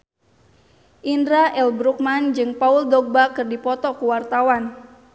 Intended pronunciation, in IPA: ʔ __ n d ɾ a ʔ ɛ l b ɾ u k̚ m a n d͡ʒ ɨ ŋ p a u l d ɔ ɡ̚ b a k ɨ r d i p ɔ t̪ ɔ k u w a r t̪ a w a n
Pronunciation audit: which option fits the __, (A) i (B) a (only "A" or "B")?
A